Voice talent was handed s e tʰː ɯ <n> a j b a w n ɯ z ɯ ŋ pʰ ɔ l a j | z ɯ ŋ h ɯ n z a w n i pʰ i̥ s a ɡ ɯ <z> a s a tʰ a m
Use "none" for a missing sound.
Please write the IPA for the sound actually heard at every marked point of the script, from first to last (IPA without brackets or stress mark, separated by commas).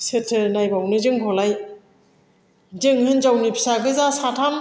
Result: n, z